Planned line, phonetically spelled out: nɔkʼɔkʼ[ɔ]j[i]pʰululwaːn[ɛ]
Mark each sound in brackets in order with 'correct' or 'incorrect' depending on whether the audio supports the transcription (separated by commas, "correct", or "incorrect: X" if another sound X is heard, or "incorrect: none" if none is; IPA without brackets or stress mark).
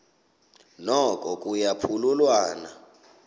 incorrect: u, incorrect: a, incorrect: a